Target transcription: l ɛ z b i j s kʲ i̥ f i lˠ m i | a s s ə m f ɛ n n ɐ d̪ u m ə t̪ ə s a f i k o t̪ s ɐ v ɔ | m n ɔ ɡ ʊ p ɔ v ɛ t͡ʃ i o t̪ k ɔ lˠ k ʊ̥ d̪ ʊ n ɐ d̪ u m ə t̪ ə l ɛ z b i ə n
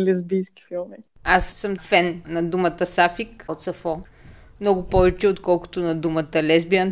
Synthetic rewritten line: l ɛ z b i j s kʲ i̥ f i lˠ m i | a s s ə m f ɛ n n ɐ d̪ u m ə t̪ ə s a f i k o t̪ s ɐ f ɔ | m n ɔ ɡ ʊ p ɔ v ɛ t͡ʃ ɛ o t̪ k ɔ lˠ k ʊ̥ t̪ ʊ n ɐ d̪ u m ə t̪ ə l ɛ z b i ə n